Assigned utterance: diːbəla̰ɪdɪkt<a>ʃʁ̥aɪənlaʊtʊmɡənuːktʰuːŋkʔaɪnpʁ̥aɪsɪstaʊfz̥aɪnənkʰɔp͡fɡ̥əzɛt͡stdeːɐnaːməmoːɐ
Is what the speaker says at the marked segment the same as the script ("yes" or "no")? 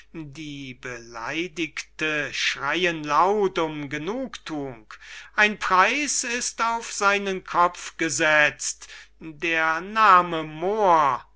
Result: no